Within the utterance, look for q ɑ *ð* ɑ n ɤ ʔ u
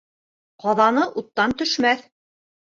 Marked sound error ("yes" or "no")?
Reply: no